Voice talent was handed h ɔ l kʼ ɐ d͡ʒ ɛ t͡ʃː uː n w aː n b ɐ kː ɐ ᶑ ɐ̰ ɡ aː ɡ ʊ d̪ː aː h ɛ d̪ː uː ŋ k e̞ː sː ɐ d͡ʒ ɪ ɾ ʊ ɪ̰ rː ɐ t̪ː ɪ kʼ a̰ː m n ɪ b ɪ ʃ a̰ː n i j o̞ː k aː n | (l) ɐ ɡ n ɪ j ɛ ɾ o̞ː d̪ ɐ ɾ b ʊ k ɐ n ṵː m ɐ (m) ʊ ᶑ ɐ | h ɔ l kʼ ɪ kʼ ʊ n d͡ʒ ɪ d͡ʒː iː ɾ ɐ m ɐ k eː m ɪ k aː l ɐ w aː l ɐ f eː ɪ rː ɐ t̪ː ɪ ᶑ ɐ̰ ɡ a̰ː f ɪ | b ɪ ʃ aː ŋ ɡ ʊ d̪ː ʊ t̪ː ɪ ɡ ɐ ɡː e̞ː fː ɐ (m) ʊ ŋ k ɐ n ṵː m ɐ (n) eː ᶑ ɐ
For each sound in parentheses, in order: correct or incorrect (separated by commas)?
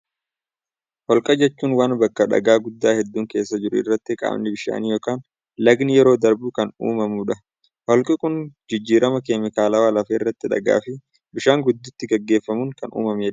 correct, correct, correct, incorrect